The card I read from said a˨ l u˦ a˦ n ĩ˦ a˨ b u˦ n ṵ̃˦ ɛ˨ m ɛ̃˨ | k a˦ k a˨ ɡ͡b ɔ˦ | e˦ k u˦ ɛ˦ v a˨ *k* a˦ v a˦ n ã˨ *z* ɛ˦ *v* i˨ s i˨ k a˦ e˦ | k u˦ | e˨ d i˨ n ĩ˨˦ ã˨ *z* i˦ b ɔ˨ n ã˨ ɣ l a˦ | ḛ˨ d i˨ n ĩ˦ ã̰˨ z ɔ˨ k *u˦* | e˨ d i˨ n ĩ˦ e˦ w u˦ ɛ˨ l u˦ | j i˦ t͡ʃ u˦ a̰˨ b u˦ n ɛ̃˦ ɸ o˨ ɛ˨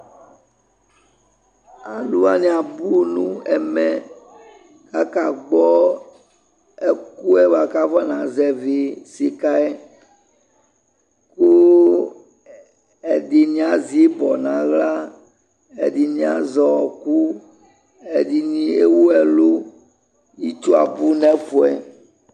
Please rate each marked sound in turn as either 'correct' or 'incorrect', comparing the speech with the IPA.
correct, correct, correct, correct, correct

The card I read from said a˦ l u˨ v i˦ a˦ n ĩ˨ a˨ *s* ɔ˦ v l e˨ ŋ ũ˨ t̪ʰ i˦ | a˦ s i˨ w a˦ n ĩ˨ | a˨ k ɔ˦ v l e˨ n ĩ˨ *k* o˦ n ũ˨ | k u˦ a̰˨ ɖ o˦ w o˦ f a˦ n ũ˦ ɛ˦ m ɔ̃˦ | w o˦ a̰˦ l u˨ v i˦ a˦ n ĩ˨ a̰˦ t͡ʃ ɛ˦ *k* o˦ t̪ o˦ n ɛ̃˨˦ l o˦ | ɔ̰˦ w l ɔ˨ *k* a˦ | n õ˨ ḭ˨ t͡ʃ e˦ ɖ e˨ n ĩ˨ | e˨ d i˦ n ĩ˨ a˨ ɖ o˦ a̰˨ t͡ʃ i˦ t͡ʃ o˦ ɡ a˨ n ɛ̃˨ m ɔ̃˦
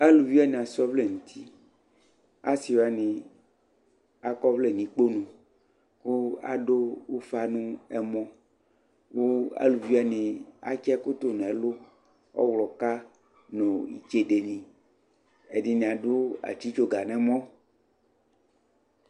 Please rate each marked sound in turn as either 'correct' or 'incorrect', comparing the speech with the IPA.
correct, incorrect: k͡p, correct, correct

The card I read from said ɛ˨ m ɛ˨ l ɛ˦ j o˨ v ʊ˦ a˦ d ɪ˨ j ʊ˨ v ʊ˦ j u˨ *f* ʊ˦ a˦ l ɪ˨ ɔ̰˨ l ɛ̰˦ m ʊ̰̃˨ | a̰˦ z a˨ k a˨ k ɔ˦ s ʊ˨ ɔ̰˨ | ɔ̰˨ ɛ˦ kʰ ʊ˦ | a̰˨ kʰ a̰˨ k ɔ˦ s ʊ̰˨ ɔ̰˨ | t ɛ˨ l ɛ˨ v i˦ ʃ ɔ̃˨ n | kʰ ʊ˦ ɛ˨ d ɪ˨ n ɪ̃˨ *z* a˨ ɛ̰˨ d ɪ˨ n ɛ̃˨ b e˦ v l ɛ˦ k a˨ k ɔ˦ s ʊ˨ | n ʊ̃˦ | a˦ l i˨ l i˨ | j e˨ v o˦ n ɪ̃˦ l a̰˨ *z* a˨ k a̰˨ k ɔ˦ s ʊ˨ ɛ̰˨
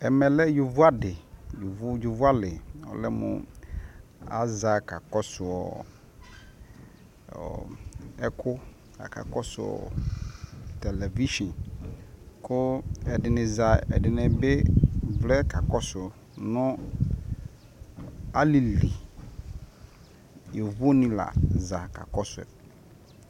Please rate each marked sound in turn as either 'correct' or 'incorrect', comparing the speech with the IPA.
incorrect: v, correct, correct

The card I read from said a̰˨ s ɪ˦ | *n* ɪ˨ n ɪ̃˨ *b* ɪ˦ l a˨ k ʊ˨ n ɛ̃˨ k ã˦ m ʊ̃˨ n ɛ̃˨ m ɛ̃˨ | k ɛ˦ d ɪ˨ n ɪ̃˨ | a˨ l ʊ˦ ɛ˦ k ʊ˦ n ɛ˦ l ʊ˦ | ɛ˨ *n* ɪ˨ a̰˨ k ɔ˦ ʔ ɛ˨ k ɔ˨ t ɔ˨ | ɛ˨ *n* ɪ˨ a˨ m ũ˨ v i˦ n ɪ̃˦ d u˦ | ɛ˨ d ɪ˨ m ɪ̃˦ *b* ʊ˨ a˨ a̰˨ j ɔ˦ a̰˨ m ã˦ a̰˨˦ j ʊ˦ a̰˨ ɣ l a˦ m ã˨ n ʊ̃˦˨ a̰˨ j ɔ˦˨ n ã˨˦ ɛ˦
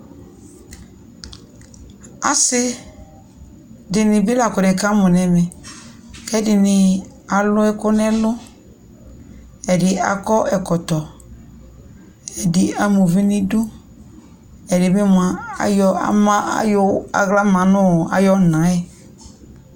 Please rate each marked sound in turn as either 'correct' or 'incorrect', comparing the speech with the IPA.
incorrect: d, correct, incorrect: d, incorrect: d, incorrect: m

